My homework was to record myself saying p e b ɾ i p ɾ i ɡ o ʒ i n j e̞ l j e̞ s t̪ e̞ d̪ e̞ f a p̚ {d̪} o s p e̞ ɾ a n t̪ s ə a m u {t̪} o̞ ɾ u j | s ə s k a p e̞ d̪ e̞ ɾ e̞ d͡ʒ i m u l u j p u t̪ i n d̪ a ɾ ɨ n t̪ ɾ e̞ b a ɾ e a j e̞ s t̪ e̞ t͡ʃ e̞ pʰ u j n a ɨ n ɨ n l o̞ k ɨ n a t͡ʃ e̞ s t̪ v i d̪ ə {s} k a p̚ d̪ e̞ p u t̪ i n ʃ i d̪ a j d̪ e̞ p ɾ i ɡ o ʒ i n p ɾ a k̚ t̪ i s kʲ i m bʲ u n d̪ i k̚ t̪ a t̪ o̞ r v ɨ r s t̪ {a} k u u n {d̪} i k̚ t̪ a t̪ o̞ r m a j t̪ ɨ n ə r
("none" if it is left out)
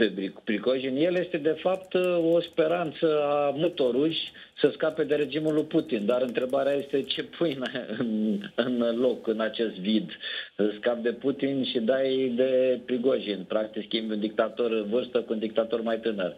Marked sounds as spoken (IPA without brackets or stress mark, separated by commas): t̪, t̪, s, ə, d̪